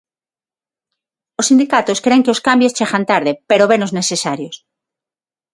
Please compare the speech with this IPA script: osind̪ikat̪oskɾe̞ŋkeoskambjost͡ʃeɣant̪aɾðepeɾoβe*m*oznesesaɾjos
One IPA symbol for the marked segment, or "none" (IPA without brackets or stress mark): n